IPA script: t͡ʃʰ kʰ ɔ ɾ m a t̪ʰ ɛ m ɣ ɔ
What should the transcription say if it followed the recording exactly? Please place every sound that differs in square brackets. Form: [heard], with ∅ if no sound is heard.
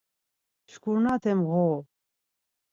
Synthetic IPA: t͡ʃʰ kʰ [u] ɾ [n] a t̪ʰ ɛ m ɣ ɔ